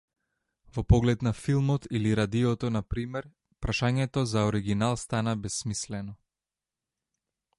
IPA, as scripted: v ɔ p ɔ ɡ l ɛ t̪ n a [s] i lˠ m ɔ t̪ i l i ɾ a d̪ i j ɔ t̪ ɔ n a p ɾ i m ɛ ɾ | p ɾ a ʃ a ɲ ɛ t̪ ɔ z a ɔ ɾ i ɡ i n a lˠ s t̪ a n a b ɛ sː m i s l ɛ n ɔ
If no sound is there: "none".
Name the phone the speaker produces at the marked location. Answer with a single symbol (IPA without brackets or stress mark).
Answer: f